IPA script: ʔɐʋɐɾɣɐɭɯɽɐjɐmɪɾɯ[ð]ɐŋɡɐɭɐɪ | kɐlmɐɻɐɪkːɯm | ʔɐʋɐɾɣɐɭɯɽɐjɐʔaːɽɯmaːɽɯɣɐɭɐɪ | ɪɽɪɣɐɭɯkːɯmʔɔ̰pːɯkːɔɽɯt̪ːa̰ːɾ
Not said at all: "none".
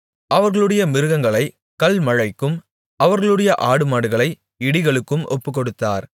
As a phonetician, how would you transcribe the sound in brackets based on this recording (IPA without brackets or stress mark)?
ɣ